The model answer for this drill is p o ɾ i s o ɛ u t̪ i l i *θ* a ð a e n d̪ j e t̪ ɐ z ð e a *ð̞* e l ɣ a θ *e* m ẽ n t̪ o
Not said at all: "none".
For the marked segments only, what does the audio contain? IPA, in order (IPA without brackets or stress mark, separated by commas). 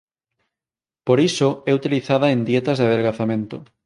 θ, ð̞, a